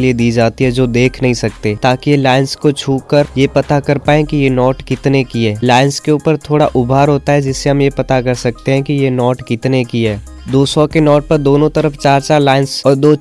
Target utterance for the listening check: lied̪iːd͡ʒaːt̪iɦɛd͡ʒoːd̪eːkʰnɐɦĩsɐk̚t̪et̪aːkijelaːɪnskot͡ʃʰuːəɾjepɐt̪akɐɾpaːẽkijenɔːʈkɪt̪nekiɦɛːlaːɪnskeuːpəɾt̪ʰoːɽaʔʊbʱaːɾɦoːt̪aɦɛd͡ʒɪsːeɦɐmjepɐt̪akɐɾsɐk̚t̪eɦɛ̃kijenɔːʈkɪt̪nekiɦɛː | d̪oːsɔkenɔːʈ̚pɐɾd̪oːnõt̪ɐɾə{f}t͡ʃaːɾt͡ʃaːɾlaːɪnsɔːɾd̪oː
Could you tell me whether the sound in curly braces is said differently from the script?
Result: no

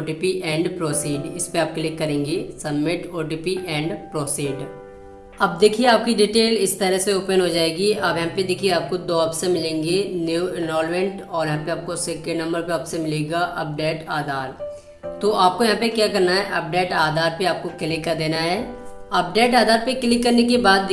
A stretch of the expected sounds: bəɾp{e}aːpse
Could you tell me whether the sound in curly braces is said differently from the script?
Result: no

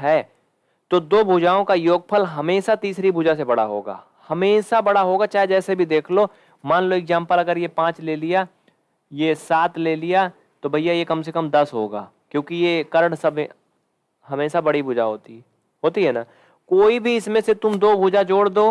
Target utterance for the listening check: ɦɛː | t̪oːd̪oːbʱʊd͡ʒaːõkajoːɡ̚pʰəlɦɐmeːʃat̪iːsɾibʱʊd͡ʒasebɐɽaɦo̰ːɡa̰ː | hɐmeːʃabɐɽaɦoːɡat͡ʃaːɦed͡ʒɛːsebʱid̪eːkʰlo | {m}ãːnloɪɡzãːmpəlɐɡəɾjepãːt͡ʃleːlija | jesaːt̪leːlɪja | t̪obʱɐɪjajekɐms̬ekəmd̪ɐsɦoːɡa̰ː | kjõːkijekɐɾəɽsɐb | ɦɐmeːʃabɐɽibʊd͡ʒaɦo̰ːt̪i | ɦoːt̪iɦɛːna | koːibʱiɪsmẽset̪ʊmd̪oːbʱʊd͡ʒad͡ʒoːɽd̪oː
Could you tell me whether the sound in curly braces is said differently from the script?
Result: no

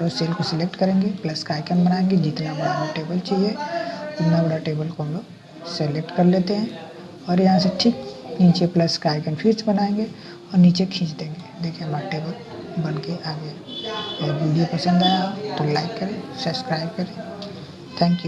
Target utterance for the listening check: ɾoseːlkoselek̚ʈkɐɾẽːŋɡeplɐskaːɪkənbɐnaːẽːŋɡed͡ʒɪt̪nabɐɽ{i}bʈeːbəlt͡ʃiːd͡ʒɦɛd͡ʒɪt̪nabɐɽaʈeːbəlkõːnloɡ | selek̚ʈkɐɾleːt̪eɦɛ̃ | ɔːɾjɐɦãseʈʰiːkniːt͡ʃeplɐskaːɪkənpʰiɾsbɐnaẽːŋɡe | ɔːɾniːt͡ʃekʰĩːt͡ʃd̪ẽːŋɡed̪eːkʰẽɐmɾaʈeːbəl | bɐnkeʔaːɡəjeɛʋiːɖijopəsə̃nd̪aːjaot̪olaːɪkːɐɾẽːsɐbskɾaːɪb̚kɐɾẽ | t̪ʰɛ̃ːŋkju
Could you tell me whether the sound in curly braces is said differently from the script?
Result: yes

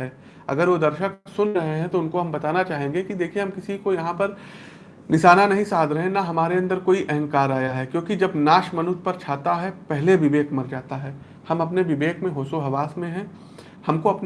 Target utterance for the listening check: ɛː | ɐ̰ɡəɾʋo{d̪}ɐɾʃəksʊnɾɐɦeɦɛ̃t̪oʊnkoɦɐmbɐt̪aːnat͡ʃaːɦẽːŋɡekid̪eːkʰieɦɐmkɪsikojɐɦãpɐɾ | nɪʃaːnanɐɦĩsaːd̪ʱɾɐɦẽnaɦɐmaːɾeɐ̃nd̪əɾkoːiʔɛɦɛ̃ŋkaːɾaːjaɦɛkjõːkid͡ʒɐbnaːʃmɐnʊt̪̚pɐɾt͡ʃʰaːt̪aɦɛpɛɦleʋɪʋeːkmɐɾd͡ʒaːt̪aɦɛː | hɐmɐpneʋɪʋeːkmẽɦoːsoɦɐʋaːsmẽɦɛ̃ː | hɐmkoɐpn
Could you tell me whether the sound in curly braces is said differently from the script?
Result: no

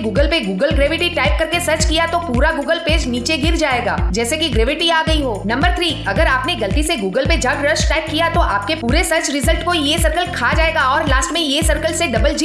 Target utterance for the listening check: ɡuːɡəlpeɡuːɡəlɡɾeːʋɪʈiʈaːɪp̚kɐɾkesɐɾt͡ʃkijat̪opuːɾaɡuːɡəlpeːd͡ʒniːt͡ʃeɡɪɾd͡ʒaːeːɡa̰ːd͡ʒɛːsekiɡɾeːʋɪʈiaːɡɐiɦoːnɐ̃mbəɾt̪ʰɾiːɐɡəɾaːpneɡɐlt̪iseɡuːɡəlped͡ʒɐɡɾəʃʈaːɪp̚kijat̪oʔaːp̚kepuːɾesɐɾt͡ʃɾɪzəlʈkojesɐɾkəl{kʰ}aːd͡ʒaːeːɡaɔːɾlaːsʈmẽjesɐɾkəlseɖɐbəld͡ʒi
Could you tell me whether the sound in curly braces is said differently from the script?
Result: no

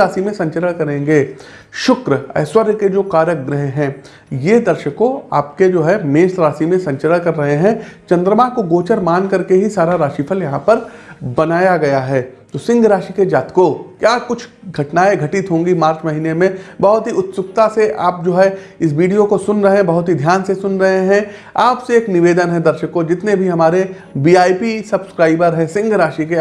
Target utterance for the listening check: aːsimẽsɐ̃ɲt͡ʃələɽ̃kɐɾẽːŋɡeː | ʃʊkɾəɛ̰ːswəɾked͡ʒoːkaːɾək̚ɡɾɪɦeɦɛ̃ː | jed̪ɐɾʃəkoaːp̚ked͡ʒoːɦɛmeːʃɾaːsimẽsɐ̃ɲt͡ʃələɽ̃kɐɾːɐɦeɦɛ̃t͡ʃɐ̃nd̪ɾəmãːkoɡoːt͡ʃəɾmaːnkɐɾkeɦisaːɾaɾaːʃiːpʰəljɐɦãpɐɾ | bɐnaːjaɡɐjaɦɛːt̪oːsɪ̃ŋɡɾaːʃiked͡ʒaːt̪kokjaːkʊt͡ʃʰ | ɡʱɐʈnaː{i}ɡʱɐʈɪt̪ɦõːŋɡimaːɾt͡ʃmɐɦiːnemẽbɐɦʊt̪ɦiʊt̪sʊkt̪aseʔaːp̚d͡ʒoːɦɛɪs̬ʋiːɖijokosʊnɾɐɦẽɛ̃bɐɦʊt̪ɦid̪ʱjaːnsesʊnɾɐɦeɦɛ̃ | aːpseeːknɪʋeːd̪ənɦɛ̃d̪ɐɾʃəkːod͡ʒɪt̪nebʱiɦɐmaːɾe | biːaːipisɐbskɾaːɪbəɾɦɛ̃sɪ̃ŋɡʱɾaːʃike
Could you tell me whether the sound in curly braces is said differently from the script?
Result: yes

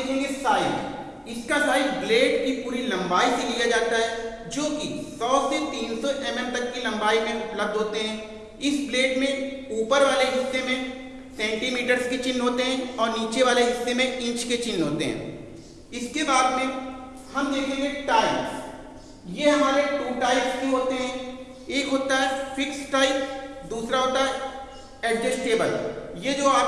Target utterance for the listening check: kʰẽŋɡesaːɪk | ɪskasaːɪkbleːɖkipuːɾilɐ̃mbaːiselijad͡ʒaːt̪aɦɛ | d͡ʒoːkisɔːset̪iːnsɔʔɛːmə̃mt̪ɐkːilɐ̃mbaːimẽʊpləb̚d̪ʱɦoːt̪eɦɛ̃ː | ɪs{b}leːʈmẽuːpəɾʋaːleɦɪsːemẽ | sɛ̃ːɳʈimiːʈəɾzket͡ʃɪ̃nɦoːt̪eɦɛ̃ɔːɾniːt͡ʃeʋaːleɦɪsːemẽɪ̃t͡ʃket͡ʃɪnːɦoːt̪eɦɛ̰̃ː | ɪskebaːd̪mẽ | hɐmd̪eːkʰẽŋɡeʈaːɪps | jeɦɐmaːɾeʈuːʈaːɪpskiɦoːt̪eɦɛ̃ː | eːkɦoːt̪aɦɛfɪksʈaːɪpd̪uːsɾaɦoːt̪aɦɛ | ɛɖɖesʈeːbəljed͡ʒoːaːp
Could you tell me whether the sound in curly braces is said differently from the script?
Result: no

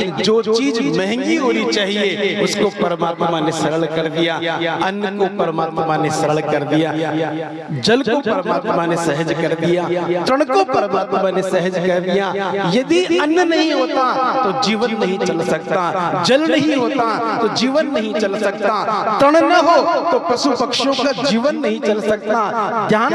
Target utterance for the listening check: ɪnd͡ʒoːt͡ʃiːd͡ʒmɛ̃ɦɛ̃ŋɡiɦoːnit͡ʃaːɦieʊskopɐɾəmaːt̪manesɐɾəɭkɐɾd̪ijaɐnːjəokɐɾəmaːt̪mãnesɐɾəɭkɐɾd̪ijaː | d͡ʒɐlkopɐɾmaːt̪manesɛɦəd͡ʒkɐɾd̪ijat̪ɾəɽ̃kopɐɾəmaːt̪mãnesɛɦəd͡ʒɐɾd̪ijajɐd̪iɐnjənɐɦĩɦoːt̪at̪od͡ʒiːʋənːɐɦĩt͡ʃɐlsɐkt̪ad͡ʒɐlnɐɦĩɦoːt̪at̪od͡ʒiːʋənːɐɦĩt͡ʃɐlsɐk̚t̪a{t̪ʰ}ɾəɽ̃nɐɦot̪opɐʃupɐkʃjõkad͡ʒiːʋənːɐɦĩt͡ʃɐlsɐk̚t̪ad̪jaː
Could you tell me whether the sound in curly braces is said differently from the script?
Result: yes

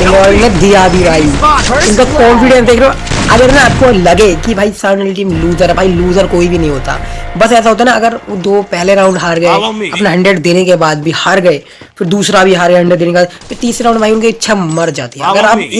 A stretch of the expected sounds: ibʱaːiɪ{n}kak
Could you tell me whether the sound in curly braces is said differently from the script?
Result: no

